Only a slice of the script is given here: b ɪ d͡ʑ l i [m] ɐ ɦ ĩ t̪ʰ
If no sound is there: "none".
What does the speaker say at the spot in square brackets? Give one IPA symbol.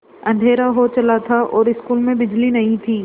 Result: n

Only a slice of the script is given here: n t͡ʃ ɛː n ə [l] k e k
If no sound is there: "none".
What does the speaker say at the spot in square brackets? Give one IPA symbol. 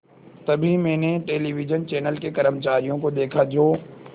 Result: l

